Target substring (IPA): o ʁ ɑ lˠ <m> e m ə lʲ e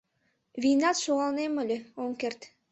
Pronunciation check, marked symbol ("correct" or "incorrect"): incorrect